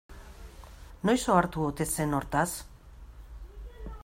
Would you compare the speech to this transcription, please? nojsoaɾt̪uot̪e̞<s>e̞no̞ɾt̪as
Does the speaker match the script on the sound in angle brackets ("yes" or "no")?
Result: yes